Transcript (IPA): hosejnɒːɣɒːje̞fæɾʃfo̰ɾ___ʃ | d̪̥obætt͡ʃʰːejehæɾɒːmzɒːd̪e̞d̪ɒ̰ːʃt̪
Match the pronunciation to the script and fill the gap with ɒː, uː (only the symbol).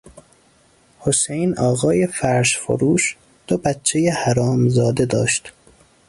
uː